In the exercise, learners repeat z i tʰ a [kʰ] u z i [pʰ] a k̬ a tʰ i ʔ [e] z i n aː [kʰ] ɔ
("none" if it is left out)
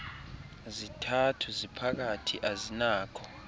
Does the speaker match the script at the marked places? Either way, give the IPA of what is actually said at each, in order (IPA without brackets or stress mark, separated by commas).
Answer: tʰ, pʰ, a, kʰ